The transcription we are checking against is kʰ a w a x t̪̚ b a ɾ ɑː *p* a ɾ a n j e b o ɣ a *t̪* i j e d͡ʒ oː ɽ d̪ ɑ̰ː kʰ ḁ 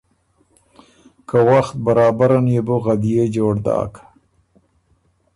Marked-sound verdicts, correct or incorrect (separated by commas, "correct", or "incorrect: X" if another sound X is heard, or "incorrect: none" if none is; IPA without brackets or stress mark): incorrect: b, incorrect: d̪